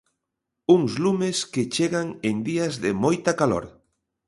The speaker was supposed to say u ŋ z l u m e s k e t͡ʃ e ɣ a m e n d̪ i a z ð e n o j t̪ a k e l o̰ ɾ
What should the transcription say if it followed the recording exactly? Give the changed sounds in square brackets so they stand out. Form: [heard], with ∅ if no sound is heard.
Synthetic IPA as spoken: u ŋ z l u m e s k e t͡ʃ e ɣ a [ŋ] e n d̪ i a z ð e [m] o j t̪ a k [a] l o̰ ɾ